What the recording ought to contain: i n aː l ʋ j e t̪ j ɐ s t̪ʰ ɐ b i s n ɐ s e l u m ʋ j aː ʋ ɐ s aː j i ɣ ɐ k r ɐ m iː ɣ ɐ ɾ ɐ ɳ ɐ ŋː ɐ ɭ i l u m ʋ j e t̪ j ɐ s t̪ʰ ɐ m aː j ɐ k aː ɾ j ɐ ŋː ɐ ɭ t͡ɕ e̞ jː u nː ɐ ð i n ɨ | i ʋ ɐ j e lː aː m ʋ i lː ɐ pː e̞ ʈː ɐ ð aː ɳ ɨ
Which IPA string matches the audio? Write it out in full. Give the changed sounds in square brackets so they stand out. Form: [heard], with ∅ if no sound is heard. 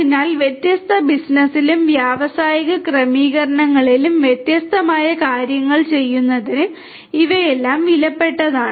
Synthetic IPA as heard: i n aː l ʋ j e t̪ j ɐ s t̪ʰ ɐ b i s n ɐ s [i] l u m ʋ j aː ʋ ɐ s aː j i ɣ ɐ k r ɐ m iː ɣ ɐ ɾ ɐ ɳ ɐ ŋː ɐ ɭ i l u m ʋ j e t̪ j ɐ s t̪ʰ ɐ m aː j ɐ k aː ɾ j ɐ ŋː ɐ ɭ t͡ɕ e̞ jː u nː ɐ ð i n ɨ | i ʋ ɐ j e lː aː m ʋ i [l] ɐ pː e̞ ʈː ɐ ð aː ɳ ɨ